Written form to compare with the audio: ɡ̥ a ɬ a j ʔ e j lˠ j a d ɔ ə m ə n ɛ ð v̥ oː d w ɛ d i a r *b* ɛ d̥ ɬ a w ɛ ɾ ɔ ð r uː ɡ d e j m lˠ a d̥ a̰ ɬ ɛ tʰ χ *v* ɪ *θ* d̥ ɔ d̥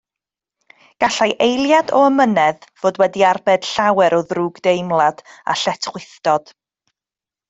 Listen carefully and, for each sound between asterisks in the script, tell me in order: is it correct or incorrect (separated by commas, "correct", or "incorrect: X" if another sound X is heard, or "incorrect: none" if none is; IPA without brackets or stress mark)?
correct, incorrect: w, correct